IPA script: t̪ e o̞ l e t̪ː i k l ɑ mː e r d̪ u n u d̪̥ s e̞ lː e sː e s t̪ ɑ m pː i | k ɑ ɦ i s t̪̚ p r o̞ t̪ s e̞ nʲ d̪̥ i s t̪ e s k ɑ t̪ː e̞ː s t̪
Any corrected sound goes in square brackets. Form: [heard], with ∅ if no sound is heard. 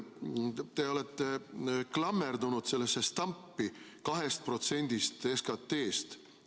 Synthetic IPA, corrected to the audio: t̪ e o̞ l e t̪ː [e] k l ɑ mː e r d̪ u n u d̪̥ s e̞ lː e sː e s t̪ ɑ m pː i | k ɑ ɦ [e] s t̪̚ p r o̞ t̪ s e̞ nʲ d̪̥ i s t̪ e s k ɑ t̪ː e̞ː s t̪